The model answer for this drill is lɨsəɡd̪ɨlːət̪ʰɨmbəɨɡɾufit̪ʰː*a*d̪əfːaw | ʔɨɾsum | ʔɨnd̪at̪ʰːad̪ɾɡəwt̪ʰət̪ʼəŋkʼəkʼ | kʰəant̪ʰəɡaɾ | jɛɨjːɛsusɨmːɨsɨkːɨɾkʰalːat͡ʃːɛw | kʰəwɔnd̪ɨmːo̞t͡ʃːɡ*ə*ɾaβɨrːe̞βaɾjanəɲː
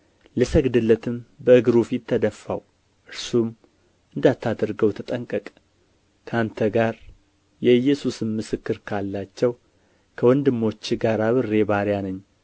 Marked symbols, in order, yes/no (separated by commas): no, no